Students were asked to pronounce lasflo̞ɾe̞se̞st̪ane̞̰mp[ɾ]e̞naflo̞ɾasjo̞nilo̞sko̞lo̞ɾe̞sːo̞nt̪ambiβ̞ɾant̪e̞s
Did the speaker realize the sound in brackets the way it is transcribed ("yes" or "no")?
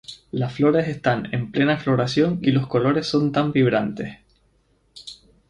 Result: no